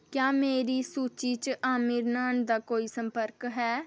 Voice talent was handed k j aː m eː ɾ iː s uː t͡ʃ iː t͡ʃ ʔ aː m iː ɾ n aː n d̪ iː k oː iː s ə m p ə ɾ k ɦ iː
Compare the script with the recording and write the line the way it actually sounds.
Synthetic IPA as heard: k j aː m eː ɾ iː s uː t͡ʃ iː t͡ʃ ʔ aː m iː ɾ n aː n d̪ aː k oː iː s ə m p ə ɾ k ɦ ɛː